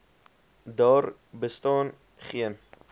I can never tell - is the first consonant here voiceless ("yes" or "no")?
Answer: no